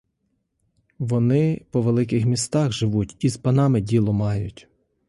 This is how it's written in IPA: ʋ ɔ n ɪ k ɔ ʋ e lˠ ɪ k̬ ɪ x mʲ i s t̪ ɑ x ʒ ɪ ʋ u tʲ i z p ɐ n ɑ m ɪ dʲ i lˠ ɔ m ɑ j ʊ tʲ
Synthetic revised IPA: ʋ ɔ n ɪ p ɔ ʋ e lˠ ɪ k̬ ɪ x mʲ i s t̪ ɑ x ʒ ɪ ʋ u tʲ i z p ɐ n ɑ m ɪ dʲ i lˠ ɔ m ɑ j ʊ tʲ